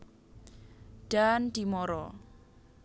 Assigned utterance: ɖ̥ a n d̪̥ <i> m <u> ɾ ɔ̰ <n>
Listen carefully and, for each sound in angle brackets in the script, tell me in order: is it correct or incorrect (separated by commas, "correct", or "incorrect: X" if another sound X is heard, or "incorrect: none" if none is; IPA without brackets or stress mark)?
correct, incorrect: ɔ, incorrect: none